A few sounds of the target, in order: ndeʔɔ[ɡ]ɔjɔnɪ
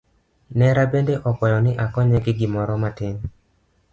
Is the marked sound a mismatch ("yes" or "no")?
yes